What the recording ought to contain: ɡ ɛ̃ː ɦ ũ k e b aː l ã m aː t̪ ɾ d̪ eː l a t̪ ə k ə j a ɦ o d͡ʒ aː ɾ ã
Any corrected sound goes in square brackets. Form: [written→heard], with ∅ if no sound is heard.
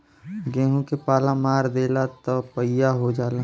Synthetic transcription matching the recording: ɡ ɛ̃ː ɦ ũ k e [b→p] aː l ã m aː [t̪→∅] ɾ d̪ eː l a t̪ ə [k→p] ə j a ɦ o d͡ʒ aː [ɾ→l] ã